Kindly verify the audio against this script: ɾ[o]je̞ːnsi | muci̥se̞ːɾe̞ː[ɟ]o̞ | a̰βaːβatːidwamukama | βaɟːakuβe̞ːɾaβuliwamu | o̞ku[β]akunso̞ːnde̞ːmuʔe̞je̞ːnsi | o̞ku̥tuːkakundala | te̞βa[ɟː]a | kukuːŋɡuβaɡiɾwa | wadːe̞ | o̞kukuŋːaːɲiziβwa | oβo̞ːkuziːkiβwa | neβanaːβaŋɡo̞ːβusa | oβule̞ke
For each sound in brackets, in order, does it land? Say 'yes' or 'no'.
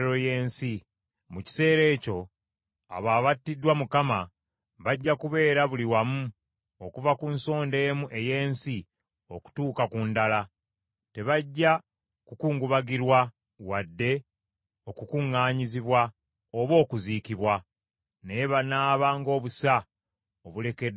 yes, no, no, yes

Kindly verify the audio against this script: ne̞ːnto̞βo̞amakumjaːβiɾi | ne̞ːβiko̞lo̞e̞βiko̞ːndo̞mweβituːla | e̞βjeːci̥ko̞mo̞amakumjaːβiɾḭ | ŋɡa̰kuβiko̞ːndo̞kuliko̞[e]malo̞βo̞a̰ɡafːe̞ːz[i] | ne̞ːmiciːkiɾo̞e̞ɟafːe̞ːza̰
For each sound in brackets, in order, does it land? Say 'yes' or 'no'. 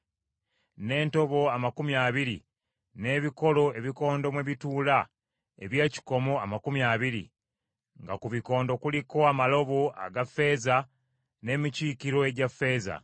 no, no

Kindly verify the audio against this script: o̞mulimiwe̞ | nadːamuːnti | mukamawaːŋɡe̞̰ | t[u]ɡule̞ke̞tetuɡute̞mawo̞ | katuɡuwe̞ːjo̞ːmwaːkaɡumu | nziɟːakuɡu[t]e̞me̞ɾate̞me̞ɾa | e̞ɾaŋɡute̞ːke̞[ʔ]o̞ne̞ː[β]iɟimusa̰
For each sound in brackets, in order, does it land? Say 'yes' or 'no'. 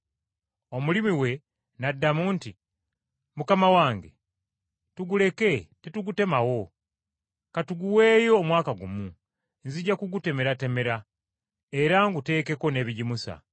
yes, yes, no, yes

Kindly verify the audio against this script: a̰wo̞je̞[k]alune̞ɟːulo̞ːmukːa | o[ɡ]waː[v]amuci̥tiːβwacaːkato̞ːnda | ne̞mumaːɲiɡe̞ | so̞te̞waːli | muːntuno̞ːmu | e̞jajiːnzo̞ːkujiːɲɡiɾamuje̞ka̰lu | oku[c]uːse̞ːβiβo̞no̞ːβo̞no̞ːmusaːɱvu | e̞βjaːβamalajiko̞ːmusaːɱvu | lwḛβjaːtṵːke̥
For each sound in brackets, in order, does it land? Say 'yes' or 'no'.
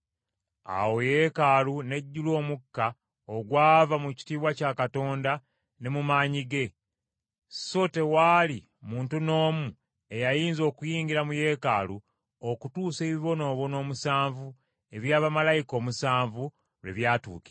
yes, yes, yes, no

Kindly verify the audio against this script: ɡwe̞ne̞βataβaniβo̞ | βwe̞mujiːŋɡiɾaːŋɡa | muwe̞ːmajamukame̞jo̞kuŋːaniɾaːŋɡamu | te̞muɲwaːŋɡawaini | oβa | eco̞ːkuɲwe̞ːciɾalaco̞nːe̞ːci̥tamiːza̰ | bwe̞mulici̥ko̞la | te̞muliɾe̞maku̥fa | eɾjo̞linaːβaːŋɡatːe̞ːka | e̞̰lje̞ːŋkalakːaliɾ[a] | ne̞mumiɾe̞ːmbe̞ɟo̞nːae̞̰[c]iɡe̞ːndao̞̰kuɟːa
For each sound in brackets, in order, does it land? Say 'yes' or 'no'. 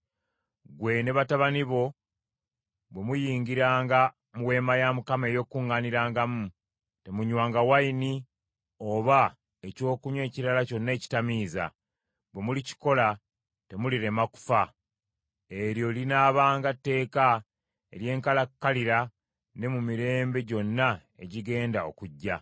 yes, no

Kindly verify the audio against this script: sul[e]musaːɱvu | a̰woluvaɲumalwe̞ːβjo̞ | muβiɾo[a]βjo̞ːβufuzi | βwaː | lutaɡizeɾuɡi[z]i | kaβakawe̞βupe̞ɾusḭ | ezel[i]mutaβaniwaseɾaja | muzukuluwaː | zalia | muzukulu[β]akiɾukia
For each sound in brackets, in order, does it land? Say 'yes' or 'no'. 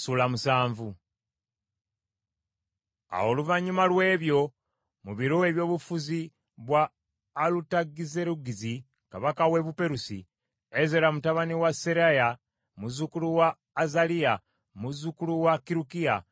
no, no, yes, no, no

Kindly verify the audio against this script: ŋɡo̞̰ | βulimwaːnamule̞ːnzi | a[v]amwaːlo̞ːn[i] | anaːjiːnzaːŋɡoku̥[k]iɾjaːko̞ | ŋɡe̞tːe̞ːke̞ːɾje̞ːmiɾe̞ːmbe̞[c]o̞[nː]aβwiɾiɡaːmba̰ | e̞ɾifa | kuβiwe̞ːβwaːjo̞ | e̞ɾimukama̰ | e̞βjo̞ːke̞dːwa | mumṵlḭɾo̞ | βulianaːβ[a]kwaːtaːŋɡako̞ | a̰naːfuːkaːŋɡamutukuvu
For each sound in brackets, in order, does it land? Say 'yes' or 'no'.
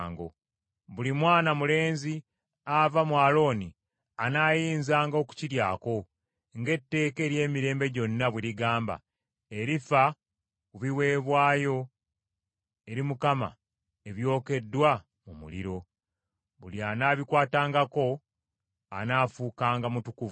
yes, yes, no, no, yes, no

